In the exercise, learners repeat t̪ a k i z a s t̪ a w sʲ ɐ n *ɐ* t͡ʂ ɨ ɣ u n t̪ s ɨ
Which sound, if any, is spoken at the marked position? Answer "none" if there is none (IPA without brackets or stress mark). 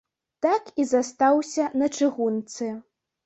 ɐ